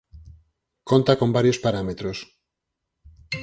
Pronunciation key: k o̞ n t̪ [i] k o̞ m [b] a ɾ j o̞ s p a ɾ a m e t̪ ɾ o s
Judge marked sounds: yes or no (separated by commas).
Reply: no, yes